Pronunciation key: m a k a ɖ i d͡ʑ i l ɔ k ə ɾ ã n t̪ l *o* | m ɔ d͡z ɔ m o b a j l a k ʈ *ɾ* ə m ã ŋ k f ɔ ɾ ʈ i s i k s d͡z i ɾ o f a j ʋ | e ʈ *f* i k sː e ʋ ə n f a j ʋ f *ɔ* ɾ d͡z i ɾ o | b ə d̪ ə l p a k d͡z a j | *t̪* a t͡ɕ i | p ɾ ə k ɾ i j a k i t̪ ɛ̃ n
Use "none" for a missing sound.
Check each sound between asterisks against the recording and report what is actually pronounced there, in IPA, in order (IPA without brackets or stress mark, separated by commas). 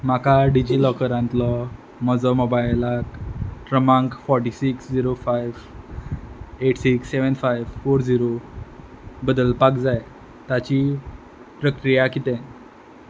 ɔ, ɾ, s, o, t̪